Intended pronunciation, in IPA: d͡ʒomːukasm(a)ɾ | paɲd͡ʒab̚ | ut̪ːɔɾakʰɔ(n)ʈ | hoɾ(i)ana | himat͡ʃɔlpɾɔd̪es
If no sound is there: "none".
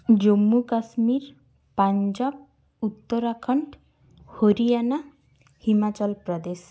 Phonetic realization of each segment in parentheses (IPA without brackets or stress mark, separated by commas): i, ɳ, i